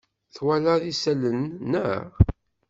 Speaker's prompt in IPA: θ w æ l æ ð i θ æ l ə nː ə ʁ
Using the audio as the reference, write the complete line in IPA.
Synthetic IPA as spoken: θ w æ l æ ð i s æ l ə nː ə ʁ